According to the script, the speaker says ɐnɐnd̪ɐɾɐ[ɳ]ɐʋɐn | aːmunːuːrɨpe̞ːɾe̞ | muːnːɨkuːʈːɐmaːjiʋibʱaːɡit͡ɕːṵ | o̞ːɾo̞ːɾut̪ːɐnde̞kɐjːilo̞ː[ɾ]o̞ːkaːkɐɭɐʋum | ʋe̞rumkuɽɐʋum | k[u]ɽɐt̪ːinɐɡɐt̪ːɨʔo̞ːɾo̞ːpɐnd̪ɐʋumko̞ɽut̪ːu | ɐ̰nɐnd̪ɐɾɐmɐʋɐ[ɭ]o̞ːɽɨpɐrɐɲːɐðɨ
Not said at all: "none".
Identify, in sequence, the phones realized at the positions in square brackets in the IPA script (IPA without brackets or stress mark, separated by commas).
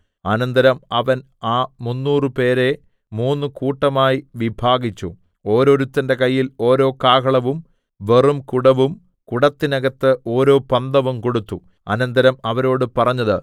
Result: m, ɾ, u, ɾ